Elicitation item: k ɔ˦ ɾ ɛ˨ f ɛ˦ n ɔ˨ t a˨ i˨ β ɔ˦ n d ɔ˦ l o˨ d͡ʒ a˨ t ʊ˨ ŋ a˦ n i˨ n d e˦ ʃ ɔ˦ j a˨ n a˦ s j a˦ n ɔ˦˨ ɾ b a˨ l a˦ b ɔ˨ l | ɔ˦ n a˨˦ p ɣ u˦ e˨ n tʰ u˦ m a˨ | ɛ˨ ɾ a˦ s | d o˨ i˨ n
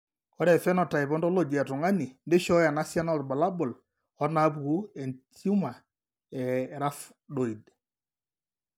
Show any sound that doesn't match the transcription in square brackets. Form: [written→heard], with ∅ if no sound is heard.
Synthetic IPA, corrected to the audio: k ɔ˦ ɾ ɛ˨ f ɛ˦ n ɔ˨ t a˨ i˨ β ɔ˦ n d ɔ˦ l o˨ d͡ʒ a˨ t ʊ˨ ŋ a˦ n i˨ n d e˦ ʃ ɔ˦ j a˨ n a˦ s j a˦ n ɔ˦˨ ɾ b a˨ l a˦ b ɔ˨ l | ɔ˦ n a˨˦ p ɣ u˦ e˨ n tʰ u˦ m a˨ | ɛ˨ ɾ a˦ [s→f] | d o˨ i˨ [n→d]